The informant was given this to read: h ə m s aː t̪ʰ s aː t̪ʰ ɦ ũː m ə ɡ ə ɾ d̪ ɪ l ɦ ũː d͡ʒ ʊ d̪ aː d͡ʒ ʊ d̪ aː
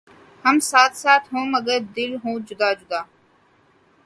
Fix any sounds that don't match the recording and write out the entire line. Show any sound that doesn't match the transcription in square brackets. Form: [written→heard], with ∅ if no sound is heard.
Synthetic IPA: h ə m s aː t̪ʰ s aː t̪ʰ ɦ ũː m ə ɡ ə ɾ d̪ ɪ l ɦ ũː d͡ʒ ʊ d̪ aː d͡ʒ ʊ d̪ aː